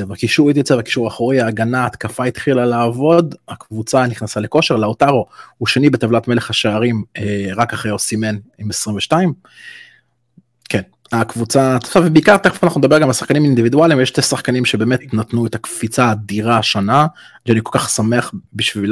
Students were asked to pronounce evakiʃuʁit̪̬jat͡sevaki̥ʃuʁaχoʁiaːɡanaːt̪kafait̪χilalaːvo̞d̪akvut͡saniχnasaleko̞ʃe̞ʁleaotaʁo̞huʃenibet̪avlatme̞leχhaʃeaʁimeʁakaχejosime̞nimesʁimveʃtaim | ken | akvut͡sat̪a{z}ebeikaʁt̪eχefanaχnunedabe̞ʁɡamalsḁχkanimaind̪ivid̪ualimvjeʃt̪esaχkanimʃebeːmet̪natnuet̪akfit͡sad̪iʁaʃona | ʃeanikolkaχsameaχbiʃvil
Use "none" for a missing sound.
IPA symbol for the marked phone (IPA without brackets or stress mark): v